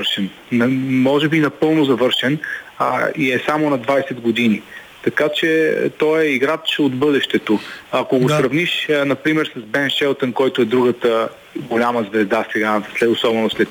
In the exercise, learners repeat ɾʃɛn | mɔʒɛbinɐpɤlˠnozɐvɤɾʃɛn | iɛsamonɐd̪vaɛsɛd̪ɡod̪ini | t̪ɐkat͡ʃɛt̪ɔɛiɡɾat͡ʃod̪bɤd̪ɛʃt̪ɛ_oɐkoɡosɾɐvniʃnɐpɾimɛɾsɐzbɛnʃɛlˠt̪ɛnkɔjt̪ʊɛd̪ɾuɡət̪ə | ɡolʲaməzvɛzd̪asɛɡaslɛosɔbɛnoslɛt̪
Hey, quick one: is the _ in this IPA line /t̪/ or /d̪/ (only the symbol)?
t̪